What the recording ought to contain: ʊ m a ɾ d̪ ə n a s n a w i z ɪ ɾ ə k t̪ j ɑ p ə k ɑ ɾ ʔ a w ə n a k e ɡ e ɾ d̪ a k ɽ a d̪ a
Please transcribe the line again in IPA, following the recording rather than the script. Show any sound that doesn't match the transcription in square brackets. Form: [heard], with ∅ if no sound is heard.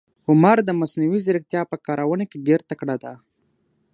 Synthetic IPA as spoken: ʊ m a ɾ d̪ ə [m] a s n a w i z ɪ ɾ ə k t̪ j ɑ p ə k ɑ ɾ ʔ a w ə n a k e ɡ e ɾ [t̪] a k ɽ a d̪ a